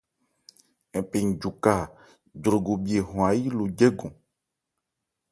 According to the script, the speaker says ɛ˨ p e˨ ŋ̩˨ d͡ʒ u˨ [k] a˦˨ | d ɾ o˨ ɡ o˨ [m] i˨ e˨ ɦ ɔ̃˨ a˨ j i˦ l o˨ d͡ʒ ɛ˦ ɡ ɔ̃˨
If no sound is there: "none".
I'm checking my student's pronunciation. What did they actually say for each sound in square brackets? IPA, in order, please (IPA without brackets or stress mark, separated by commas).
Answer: k, b